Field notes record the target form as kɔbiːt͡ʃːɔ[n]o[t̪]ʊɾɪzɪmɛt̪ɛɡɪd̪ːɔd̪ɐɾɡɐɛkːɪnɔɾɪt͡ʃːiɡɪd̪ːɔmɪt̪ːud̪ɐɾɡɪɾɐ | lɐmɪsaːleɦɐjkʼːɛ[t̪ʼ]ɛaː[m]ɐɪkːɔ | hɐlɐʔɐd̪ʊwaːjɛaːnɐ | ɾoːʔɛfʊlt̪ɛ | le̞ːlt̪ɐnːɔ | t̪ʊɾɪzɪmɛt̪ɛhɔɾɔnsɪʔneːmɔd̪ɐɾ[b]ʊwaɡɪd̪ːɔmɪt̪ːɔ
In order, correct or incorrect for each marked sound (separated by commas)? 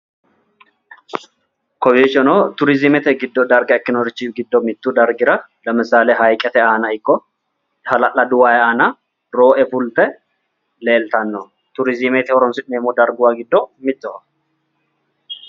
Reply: correct, correct, incorrect, incorrect, incorrect